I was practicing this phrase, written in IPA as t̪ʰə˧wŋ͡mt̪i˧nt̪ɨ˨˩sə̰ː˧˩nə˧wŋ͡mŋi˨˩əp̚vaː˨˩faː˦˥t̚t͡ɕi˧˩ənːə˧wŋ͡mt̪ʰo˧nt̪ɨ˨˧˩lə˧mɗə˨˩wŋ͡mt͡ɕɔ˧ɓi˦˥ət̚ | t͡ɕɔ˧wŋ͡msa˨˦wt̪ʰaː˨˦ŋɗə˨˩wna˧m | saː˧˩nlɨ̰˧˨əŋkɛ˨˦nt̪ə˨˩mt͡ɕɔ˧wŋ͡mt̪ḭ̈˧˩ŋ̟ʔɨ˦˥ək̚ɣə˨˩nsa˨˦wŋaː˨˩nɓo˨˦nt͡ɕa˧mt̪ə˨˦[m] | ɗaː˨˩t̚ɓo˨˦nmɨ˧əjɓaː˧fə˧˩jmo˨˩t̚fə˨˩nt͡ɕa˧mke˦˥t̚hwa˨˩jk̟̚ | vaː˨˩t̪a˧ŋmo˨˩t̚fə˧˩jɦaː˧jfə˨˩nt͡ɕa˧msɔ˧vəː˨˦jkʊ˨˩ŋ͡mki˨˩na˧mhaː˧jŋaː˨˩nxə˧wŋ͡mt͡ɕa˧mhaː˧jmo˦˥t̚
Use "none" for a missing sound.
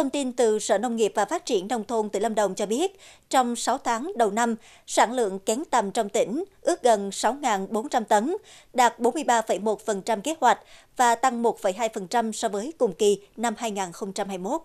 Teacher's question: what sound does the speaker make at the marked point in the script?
n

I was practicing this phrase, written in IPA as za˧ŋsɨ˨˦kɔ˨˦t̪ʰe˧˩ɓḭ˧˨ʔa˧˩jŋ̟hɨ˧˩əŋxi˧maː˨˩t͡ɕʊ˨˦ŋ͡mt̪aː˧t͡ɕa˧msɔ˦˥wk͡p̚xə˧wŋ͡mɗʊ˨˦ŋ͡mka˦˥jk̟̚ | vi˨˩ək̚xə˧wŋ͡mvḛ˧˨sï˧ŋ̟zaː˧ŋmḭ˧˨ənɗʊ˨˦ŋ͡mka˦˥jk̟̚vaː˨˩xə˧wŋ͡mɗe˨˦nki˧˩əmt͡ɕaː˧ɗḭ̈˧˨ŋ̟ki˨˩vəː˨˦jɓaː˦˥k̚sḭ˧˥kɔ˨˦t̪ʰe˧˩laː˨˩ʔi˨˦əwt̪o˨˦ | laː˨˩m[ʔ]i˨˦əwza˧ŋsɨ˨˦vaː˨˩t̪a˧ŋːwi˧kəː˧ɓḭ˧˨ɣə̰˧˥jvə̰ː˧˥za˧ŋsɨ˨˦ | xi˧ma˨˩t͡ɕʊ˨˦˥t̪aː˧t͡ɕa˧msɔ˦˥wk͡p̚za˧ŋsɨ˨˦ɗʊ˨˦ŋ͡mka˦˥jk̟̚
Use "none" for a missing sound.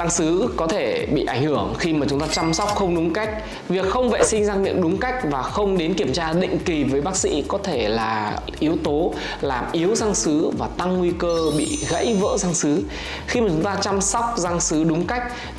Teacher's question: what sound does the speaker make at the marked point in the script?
ʔ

